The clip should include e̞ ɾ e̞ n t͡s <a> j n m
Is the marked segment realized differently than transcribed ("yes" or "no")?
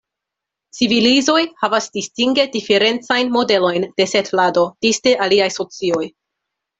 no